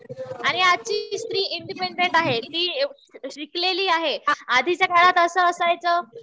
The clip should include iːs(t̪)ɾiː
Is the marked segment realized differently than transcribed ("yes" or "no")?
no